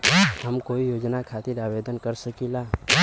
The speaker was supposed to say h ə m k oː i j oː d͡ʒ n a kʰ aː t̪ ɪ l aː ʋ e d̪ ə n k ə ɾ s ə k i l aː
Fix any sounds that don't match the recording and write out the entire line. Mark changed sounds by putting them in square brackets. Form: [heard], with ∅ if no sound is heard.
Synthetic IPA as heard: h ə m k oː i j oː d͡ʒ n a kʰ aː t̪ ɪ [ɾ] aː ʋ e d̪ ə n k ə ɾ s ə k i l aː